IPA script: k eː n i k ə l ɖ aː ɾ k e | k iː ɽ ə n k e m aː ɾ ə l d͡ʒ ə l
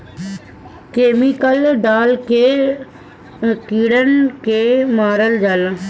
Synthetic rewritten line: k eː m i k ə l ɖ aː l k e | k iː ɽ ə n k e m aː ɾ ə l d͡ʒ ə l